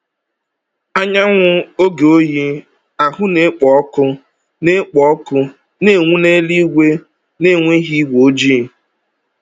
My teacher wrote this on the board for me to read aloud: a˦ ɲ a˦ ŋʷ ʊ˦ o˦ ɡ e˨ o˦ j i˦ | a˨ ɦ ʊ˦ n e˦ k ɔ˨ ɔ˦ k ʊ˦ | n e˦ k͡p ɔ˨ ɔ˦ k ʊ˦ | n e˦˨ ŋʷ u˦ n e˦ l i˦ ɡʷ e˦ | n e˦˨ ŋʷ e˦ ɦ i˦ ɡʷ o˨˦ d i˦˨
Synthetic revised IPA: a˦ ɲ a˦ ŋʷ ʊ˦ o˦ ɡ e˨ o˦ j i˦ | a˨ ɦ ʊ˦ n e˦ k͡p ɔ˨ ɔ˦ k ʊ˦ | n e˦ k͡p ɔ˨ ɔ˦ k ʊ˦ | n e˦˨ ŋʷ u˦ n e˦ l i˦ ɡʷ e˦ | n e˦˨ ŋʷ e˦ ɦ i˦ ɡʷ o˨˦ d͡ʒ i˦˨